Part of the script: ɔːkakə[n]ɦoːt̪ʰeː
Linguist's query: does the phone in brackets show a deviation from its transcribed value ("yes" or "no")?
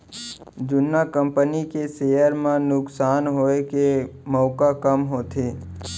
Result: yes